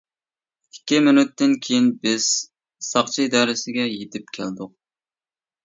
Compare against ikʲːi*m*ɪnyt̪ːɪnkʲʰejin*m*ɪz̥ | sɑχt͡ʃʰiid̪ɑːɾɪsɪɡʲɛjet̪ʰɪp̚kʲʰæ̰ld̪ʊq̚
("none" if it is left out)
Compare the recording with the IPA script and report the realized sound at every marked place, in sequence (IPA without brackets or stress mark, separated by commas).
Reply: m, b